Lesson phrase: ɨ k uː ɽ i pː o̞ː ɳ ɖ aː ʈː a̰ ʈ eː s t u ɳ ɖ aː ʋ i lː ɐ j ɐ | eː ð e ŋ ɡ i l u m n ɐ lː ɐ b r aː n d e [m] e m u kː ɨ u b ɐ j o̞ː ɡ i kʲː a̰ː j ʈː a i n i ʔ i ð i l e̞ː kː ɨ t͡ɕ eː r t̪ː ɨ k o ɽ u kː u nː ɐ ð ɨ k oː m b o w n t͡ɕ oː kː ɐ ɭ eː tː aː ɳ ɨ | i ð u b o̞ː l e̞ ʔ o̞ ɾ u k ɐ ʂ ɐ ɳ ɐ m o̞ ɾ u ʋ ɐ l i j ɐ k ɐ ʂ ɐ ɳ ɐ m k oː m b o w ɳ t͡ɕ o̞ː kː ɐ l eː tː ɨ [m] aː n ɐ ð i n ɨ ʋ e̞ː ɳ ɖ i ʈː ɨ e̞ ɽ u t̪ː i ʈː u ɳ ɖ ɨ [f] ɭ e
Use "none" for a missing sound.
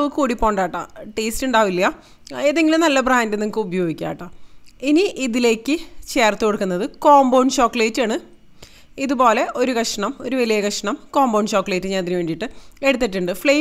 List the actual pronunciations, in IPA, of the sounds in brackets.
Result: n, ɲ, f

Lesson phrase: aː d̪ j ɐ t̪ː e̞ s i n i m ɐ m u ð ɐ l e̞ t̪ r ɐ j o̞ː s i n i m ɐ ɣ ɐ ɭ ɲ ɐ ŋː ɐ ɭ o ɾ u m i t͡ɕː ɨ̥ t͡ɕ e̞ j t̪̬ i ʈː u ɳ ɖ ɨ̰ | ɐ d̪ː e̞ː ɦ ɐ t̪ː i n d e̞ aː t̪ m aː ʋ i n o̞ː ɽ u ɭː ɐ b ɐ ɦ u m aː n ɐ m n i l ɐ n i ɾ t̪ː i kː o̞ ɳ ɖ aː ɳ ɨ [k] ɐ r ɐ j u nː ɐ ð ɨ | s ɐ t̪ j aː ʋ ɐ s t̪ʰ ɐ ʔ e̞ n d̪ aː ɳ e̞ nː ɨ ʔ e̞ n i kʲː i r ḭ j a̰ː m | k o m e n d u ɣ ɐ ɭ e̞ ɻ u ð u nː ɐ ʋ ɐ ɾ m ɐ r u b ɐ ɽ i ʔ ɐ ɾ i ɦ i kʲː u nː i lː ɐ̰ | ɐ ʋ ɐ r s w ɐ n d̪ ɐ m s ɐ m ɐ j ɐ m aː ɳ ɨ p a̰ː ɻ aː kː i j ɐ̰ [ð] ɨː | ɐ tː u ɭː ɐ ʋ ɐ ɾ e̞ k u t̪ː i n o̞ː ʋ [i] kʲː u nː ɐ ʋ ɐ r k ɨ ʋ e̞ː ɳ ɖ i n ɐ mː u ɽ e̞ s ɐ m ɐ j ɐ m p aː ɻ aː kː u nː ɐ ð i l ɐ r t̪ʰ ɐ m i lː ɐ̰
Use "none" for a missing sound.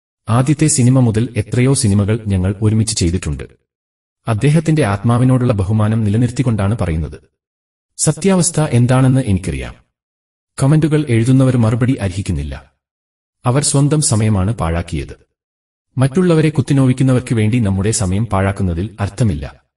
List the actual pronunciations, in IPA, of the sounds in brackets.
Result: p, ð, i

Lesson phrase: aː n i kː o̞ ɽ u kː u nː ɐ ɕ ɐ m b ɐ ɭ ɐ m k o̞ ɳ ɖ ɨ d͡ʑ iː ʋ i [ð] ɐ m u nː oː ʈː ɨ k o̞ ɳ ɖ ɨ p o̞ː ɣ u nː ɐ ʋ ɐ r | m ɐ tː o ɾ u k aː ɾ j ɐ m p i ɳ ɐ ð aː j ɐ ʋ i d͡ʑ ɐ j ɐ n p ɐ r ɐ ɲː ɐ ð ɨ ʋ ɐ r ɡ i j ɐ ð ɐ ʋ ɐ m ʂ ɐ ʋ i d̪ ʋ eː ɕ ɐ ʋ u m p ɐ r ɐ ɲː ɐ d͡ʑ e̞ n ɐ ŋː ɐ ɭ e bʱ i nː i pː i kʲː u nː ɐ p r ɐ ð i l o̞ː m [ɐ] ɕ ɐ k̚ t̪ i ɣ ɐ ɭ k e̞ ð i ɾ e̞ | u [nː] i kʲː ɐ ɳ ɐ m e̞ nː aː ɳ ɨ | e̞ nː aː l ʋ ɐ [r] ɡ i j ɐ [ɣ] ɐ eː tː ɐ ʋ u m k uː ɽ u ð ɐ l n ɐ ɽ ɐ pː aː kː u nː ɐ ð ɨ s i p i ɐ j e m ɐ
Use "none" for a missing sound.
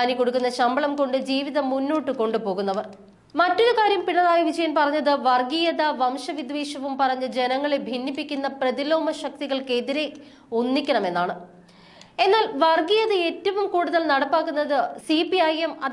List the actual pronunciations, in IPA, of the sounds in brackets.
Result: ð, ɐ, nː, r, ð

